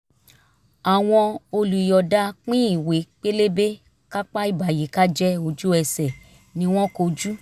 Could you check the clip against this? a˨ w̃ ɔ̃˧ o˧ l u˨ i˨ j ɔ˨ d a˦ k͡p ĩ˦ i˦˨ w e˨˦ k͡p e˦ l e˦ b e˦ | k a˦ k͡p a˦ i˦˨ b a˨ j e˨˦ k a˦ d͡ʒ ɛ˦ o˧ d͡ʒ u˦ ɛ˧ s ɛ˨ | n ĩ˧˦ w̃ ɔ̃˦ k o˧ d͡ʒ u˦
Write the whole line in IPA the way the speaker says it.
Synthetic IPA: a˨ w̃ ɔ̃˧ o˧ l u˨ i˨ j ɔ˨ d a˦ k͡p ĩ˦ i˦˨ w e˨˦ k͡p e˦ l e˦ b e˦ | k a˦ k͡p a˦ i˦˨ b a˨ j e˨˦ k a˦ d͡ʒ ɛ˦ o˧ d͡ʒ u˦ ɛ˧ s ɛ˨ | n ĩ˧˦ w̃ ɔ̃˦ k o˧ d͡ʒ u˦